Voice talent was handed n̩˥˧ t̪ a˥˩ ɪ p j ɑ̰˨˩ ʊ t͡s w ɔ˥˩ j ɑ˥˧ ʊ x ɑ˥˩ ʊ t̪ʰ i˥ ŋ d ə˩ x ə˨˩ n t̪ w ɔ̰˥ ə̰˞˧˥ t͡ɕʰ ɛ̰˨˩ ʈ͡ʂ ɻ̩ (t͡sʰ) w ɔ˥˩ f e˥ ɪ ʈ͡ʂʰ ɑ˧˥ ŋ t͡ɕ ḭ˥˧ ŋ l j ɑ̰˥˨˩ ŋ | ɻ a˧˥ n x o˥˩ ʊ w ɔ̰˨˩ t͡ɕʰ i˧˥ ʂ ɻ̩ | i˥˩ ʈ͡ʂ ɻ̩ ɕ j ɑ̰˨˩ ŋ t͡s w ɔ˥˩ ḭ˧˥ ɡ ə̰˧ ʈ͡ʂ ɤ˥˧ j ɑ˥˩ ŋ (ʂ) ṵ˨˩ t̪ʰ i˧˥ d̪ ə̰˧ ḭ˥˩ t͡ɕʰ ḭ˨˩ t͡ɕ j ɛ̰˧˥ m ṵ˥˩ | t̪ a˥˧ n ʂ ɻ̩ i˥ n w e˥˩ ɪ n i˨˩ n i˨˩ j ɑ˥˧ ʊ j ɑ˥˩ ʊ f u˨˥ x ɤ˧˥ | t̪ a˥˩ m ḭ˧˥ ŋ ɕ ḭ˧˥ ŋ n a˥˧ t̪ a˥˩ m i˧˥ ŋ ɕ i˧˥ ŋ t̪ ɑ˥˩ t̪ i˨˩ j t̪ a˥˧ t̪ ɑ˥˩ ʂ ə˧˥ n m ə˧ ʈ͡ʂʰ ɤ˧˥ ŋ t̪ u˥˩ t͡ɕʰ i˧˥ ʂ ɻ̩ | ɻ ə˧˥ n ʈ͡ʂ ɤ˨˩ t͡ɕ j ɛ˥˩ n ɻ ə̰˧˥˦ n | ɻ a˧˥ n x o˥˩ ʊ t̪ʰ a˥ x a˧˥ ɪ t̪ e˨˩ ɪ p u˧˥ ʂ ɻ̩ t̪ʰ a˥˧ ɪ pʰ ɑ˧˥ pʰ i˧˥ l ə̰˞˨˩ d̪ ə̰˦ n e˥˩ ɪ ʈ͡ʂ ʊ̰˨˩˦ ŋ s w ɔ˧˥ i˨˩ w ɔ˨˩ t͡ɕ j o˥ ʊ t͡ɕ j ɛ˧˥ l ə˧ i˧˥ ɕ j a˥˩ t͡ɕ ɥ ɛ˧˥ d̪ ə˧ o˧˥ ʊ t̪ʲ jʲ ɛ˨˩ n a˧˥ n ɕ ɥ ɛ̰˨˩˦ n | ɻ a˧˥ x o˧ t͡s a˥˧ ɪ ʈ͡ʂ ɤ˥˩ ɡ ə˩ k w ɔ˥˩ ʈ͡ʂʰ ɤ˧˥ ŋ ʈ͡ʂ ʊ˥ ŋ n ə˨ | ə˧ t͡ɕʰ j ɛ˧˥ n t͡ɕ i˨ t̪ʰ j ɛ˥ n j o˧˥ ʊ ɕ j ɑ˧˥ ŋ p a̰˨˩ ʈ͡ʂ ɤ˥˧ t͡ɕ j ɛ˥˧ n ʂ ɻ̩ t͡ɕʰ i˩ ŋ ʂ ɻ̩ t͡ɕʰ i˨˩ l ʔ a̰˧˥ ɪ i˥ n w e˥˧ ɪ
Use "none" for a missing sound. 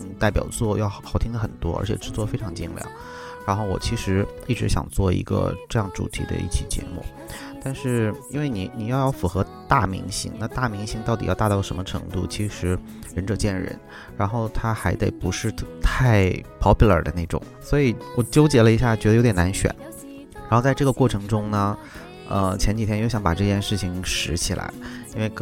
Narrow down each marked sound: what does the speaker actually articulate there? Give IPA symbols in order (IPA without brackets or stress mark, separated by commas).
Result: t͡s, ʈ͡ʂ